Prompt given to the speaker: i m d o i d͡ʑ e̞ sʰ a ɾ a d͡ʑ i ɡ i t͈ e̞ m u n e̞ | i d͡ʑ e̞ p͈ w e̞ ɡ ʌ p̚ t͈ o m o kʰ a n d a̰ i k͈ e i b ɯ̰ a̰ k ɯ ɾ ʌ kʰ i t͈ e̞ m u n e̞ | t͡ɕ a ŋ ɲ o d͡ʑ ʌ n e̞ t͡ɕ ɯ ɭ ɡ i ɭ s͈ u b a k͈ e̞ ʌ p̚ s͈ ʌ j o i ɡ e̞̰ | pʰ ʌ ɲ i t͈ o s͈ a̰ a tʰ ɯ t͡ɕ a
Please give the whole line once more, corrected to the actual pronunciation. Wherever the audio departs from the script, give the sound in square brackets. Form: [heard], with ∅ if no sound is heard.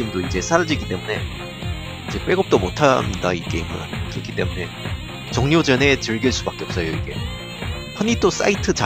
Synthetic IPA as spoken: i m d o i d͡ʑ e̞ sʰ a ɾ a d͡ʑ i ɡ i t͈ e̞ m u n e̞ | i d͡ʑ e̞ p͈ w e̞ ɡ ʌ p̚ t͈ o m o [tʰ] a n d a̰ i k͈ e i [m] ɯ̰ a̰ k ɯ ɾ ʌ kʰ i t͈ e̞ m u n e̞ | t͡ɕ [ʌ] ŋ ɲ o d͡ʑ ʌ n e̞ t͡ɕ ɯ ɭ ɡ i ɭ s͈ u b a k͈ e̞ ʌ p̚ s͈ ʌ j o i ɡ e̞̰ | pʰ ʌ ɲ i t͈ o s͈ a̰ [i] tʰ ɯ t͡ɕ a